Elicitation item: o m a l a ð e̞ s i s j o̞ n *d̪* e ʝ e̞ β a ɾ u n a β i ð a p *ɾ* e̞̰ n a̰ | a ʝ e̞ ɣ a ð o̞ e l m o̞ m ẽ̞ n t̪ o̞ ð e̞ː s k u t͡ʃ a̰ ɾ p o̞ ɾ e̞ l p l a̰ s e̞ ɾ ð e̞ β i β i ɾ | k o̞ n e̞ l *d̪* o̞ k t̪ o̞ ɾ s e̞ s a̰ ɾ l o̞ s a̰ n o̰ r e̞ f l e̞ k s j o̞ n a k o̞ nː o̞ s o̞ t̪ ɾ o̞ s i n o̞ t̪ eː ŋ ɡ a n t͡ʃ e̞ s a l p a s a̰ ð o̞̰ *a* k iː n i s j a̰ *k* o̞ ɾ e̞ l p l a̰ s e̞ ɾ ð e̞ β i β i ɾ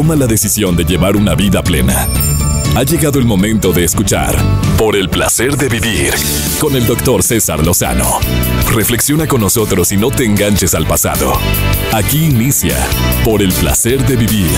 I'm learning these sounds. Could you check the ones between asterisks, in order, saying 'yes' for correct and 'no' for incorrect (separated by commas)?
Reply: yes, no, yes, yes, no